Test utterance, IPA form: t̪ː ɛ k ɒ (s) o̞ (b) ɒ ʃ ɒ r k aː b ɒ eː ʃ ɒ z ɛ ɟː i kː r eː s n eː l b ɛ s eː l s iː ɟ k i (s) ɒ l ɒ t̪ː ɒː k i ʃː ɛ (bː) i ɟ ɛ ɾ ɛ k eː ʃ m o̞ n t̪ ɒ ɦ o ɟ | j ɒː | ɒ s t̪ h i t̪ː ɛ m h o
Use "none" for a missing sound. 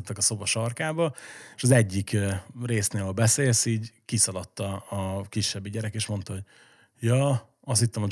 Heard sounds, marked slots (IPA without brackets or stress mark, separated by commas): s, b, s, bː